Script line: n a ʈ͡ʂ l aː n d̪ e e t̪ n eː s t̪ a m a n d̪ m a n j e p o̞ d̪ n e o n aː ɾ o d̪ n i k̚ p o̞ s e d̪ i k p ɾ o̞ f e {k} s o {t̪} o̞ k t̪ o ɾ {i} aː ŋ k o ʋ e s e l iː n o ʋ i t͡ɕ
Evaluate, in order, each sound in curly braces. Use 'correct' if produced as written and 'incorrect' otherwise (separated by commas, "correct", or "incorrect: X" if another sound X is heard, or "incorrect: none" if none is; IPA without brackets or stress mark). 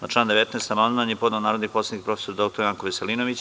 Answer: incorrect: none, incorrect: d̪, incorrect: j